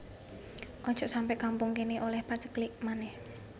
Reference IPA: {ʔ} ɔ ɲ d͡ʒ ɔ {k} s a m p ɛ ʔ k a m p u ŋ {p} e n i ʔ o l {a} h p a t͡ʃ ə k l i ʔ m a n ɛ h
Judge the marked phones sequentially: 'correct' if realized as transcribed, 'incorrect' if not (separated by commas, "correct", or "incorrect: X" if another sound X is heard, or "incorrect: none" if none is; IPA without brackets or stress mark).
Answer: correct, incorrect: ʔ, incorrect: k, incorrect: ɛ